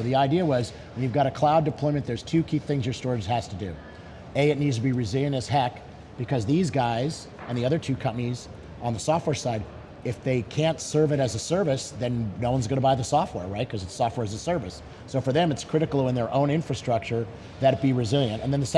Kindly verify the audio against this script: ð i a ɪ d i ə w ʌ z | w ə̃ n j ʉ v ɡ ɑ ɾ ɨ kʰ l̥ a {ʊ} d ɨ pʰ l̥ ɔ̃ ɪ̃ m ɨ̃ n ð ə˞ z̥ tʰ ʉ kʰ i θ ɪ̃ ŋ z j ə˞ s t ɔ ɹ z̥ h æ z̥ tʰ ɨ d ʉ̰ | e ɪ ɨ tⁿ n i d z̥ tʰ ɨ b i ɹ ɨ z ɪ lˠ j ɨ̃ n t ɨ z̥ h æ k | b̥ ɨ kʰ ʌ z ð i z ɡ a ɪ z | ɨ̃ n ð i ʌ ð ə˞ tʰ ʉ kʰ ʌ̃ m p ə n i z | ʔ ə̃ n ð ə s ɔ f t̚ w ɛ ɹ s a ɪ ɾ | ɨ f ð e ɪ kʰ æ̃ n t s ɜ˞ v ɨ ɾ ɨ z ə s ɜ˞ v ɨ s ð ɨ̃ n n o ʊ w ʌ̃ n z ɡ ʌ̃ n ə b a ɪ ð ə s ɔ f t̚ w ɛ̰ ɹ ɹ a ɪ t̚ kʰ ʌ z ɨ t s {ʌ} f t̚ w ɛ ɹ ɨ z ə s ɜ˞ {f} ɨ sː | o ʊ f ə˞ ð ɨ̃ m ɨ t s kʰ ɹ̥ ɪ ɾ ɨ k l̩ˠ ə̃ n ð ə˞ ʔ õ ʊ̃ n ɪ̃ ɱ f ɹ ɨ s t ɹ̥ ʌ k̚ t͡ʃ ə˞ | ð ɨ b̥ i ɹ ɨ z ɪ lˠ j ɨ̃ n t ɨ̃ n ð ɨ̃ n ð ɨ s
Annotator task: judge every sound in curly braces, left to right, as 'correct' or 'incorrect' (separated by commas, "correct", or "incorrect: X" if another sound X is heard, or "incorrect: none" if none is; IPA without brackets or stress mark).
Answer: correct, incorrect: ɔ, incorrect: v